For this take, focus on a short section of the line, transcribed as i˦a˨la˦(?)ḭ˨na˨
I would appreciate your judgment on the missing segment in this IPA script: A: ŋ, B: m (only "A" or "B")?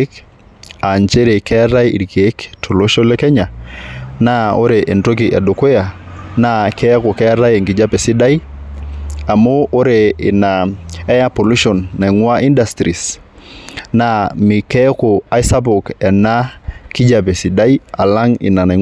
A